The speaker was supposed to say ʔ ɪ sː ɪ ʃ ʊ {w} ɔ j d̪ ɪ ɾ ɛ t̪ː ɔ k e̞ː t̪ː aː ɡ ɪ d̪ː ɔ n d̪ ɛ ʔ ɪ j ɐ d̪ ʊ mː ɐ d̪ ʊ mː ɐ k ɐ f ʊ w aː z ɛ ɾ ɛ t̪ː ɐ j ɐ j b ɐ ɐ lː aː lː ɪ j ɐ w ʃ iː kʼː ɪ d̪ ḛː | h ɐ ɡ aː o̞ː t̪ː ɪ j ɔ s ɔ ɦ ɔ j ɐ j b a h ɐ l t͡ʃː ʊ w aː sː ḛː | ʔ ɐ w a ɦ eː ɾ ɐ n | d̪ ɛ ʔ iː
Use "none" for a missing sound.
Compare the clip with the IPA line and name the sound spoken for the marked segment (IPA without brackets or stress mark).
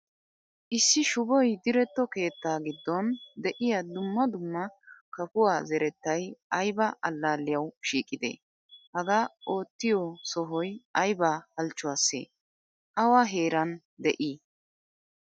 b